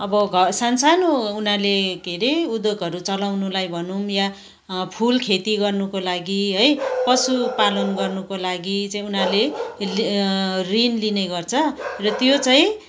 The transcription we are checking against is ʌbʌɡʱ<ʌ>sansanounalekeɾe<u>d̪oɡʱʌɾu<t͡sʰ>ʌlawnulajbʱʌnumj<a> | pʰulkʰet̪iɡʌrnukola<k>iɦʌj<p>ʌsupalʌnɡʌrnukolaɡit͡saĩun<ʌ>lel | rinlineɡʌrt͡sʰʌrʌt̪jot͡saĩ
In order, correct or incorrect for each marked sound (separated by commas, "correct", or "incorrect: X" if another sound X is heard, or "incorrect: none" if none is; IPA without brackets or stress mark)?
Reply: correct, correct, incorrect: t͡s, correct, incorrect: ɡ, correct, incorrect: a